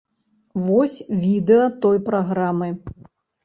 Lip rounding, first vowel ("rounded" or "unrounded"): rounded